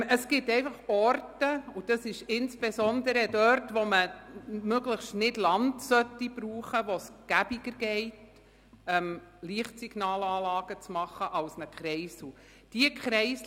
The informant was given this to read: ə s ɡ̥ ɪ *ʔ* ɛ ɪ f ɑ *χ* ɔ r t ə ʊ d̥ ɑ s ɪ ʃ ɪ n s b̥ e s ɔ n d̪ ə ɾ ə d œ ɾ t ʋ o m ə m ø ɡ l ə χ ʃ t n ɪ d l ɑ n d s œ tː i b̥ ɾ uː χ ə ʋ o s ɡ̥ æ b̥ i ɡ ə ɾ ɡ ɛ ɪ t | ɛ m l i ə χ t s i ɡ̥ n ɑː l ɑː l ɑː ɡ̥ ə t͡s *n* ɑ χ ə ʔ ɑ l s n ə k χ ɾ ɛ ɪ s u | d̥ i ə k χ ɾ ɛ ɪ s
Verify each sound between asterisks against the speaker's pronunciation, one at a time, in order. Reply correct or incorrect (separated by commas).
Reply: incorrect, correct, incorrect